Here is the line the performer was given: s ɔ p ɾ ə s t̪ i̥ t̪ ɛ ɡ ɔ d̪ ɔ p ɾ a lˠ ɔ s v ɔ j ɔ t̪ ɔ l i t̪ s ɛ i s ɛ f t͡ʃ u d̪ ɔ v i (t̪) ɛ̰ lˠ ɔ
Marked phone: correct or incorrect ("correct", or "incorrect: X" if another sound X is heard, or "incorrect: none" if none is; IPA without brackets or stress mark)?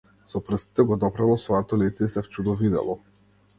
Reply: incorrect: d̪